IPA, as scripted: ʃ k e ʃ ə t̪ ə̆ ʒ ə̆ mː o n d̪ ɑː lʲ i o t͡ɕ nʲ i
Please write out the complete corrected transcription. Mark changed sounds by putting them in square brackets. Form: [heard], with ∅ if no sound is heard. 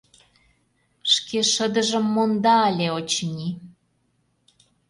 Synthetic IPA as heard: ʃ k e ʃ ə [d̪] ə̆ ʒ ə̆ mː o n d̪ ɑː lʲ [e] o t͡ɕ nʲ i